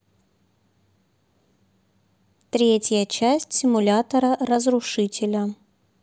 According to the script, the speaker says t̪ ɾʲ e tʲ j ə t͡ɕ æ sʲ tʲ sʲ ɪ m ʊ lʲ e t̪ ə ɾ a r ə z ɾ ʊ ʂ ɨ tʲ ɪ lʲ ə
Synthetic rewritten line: t̪ ɾʲ e tʲ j ə t͡ɕ æ sʲ tʲ sʲ ɪ m ʊ lʲ a t̪ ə ɾ ə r ə z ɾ ʊ ʂ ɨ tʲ ɪ lʲ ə

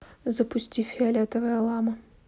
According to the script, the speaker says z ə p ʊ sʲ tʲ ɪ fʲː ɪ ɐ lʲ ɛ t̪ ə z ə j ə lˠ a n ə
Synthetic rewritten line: z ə p ʊ sʲ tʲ i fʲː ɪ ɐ lʲ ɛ t̪ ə v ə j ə lˠ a m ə

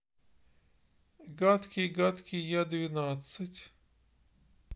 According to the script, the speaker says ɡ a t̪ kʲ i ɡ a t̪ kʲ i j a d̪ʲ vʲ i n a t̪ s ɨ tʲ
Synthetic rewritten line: ɡ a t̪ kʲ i ɡ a t̪ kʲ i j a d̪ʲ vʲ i n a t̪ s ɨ tʲ

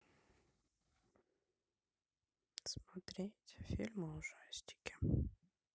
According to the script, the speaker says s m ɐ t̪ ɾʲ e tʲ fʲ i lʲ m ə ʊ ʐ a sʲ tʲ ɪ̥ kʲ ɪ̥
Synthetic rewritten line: s m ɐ t̪ ɾʲ e tʲ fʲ i lʲ m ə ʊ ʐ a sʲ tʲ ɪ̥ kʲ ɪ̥

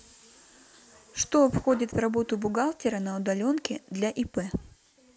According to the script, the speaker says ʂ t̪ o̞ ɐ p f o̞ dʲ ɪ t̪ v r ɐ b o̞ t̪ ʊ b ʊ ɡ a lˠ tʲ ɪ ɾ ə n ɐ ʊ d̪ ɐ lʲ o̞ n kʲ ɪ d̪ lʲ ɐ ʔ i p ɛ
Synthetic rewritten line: ʂ t̪ o̞ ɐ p x o̞ dʲ ɪ t̪ v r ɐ b o̞ t̪ ʊ b ʊ ɡ a lˠ tʲ ɪ ɾ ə n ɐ ʊ d̪ ɐ lʲ o̞ n kʲ ɪ d̪ lʲ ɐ ʔ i p ɛ

